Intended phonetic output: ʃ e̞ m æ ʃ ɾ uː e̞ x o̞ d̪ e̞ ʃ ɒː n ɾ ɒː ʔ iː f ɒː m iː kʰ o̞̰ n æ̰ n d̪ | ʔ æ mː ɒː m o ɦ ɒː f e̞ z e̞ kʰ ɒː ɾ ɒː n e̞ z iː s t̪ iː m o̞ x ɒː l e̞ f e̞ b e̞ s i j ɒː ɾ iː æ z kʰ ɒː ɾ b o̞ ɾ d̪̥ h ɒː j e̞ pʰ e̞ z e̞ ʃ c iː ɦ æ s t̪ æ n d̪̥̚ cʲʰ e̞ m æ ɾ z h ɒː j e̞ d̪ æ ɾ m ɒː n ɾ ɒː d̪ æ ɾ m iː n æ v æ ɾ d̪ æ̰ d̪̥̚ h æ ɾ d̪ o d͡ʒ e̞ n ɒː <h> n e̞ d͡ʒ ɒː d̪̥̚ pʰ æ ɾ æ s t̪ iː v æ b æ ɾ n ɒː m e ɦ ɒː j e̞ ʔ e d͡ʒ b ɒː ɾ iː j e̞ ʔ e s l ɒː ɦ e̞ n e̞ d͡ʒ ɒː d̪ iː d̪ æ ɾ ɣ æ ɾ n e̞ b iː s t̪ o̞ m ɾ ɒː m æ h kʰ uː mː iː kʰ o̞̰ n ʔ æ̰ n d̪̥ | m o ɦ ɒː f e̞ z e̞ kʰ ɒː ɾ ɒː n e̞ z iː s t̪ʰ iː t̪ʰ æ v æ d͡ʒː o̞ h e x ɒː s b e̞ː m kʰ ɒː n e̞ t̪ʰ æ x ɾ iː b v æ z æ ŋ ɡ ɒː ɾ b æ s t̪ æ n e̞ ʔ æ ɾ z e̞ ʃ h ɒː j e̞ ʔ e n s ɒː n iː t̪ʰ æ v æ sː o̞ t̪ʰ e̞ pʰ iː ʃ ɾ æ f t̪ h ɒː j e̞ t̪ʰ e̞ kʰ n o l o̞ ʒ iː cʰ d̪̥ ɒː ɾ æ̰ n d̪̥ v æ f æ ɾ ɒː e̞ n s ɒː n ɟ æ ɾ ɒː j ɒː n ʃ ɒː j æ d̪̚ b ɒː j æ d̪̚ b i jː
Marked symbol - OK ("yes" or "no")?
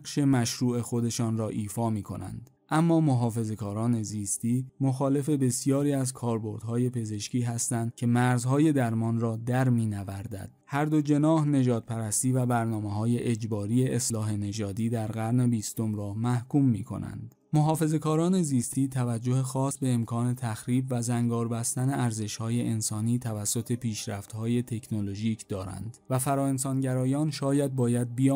yes